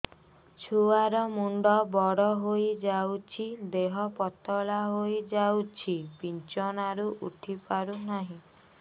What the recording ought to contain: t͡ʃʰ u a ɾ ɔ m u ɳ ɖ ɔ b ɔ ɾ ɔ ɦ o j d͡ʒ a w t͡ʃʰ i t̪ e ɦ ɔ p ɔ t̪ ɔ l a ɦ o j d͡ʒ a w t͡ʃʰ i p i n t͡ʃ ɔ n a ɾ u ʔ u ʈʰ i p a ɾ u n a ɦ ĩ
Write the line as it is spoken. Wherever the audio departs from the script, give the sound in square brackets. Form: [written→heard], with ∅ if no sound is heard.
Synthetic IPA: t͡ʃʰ u a ɾ ɔ m u ɳ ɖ ɔ b ɔ [ɾ→ɽ] ɔ ɦ o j d͡ʒ a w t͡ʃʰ i [t̪→d̪] e ɦ ɔ p ɔ t̪ ɔ l a ɦ o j d͡ʒ a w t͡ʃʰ i p i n t͡ʃ ɔ n a ɾ u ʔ u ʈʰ i p a ɾ u n a ɦ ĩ